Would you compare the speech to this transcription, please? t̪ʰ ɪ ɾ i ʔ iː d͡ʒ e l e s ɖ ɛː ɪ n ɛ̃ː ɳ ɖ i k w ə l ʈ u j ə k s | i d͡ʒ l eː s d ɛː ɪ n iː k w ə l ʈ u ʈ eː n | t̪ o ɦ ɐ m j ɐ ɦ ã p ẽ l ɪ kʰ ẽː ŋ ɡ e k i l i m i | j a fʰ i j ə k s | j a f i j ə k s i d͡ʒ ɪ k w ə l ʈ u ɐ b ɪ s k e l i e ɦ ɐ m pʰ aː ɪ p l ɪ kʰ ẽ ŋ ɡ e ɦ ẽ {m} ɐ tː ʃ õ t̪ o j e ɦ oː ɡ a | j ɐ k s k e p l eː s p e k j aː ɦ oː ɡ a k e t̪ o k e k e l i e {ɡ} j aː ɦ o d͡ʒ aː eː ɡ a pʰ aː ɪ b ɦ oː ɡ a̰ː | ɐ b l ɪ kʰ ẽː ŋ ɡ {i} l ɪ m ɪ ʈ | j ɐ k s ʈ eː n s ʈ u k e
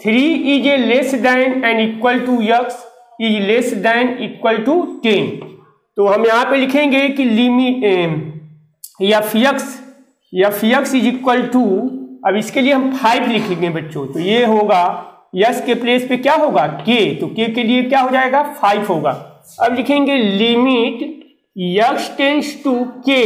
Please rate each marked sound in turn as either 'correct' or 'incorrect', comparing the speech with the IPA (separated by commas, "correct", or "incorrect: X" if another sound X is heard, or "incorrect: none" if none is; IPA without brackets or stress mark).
incorrect: b, incorrect: k, incorrect: e